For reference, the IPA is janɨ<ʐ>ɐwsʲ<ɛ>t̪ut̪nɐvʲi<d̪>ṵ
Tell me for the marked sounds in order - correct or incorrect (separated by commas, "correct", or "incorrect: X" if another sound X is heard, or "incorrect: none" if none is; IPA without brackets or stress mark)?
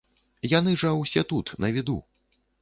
correct, correct, correct